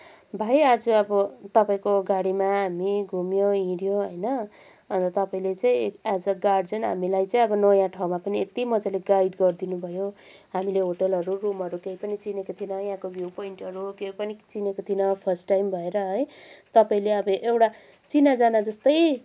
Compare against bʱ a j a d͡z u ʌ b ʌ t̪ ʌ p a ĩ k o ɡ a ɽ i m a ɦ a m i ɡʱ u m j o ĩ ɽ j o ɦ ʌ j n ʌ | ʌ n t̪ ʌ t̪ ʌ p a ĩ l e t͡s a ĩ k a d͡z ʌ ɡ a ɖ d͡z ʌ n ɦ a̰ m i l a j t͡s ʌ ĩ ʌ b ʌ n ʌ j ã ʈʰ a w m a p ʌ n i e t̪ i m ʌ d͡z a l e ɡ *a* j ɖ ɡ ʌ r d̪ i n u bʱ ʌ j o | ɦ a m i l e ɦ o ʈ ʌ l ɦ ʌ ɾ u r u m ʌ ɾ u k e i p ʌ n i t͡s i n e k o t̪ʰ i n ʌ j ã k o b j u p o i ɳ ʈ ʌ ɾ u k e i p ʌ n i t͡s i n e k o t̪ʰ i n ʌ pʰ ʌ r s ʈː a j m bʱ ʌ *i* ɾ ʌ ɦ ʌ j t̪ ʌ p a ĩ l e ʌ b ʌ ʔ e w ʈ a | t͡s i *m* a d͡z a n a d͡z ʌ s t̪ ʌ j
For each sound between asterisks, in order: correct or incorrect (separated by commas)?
correct, incorrect, incorrect